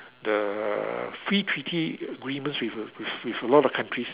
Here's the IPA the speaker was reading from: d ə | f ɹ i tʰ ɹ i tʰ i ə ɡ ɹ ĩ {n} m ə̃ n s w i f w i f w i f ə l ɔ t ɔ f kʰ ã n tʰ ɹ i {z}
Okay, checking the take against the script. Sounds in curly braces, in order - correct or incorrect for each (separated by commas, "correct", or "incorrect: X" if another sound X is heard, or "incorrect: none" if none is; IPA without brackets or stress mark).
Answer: incorrect: none, incorrect: s